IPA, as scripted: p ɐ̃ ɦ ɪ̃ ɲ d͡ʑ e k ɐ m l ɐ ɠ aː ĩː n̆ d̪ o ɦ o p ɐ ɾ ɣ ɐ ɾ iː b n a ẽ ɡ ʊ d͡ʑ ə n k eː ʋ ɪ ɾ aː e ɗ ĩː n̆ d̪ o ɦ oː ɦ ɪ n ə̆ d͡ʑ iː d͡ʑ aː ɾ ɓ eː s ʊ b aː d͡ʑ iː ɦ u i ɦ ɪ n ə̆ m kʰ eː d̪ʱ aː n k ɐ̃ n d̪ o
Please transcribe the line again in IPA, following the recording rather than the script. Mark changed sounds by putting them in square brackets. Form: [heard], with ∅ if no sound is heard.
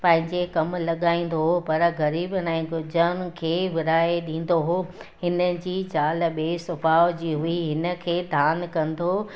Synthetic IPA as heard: p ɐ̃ ɦ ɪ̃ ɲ d͡ʑ e k ɐ m l ɐ ɠ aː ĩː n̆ d̪ o ɦ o p ɐ ɾ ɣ ɐ ɾ iː b n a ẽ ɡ ʊ d͡ʑ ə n [kʰ] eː ʋ ɪ ɾ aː e ɗ ĩː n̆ d̪ o ɦ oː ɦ ɪ n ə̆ d͡ʑ iː d͡ʑ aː [l] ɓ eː s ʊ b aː d͡ʑ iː ɦ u i ɦ ɪ n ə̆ [∅] kʰ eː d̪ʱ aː n k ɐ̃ n d̪ o

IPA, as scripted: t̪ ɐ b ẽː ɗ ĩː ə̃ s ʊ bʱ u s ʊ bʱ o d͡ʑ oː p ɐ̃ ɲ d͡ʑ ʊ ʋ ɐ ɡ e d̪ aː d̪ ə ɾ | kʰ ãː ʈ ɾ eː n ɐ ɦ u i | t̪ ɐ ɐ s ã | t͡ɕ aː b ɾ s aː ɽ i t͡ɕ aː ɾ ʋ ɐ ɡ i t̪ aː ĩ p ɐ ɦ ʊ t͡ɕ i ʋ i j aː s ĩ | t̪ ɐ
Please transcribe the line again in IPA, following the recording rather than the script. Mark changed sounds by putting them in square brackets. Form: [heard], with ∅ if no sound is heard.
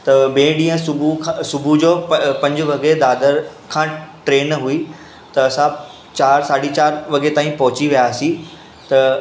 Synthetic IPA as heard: t̪ ɐ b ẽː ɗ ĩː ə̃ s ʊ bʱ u s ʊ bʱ [u] d͡ʑ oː p ɐ̃ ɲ d͡ʑ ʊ ʋ ɐ ɡ e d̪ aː d̪ ə ɾ | kʰ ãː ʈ ɾ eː n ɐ ɦ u i | t̪ ɐ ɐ s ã | t͡ɕ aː [∅] ɾ s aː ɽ i t͡ɕ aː ɾ ʋ ɐ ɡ [e] t̪ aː ĩ p ɐ ɦ ʊ t͡ɕ i ʋ i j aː s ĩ | t̪ ɐ

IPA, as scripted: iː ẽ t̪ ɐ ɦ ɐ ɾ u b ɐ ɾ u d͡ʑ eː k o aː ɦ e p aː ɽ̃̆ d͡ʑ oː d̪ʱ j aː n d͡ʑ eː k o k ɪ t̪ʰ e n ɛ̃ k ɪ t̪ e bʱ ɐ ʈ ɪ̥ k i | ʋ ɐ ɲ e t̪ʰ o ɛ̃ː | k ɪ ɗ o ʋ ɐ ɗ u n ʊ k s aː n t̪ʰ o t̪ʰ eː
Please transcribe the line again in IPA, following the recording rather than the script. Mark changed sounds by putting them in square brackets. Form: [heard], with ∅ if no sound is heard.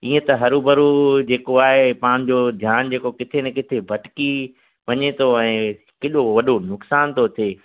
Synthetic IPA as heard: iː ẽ t̪ ɐ ɦ ɐ ɾ u b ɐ ɾ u d͡ʑ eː k o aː ɦ e p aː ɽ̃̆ d͡ʑ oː d̪ʱ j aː n d͡ʑ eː k o k ɪ t̪ʰ e n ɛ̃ k ɪ [t̪ʰ] e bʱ ɐ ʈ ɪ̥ k i | ʋ ɐ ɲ e t̪ʰ o ɛ̃ː | k ɪ ɗ o ʋ ɐ ɗ [o] n ʊ k s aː n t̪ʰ o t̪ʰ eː

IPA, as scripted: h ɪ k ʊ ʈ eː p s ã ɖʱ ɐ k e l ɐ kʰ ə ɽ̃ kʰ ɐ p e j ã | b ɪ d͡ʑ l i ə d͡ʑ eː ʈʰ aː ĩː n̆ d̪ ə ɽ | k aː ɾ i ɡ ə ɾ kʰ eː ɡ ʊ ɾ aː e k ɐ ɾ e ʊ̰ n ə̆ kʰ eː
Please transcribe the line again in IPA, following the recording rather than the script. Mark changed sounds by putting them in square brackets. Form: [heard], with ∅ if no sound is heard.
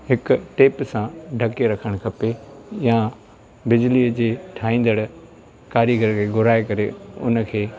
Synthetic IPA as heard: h ɪ k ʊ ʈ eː p s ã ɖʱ ɐ k e [ɾ] ɐ kʰ ə ɽ̃ kʰ ɐ p e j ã | b ɪ d͡ʑ l i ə d͡ʑ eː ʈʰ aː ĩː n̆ d̪ ə ɽ | k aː ɾ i ɡ ə ɾ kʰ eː ɡ ʊ ɾ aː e k ɐ ɾ e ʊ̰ n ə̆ kʰ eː

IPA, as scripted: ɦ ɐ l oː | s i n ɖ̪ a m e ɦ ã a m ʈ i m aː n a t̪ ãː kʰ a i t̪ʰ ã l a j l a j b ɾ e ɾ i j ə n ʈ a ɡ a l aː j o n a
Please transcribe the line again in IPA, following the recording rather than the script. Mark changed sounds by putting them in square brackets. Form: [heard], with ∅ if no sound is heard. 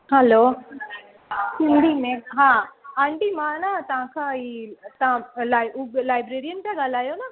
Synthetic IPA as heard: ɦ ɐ l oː | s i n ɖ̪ [i] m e ɦ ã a [ɳ] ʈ i m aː n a t̪ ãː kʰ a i [t̪] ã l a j l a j b ɾ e ɾ i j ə n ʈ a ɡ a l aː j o n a

